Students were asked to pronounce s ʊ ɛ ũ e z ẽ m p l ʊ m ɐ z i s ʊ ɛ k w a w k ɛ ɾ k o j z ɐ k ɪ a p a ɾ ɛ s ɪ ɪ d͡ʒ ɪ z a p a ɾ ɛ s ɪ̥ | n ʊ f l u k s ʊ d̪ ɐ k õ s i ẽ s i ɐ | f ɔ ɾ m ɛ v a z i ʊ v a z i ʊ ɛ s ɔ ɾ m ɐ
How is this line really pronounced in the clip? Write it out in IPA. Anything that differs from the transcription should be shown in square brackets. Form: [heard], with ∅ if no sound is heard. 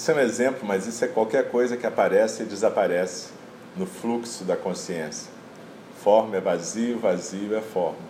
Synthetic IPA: s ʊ ɛ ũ e z ẽ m p l ʊ m ɐ z i s ʊ ɛ k w a w k ɛ ɾ k o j z ɐ k ɪ a p a ɾ ɛ s ɪ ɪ d͡ʒ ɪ z a p a ɾ ɛ s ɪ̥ | n ʊ f l u k s ʊ d̪ ɐ k õ s i ẽ s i ɐ | f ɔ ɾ m ɛ v a z i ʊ v a z i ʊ ɛ [f] ɔ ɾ m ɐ